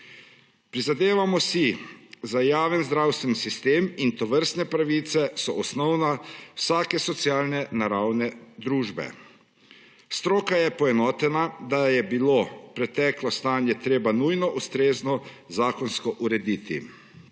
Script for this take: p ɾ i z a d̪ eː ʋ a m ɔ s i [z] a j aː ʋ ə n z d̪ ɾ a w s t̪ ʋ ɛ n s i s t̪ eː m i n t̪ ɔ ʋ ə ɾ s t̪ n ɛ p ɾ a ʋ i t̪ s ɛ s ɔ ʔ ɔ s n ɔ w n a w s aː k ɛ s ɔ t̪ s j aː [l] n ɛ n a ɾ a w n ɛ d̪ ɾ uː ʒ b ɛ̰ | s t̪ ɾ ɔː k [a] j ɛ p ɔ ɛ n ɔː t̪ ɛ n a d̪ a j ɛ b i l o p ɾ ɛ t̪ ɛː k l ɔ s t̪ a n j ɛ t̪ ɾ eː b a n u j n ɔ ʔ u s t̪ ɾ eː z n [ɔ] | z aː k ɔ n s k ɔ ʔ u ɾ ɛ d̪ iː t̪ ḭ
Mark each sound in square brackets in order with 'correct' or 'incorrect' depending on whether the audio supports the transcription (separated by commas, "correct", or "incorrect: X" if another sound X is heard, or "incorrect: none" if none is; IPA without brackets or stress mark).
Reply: correct, correct, correct, correct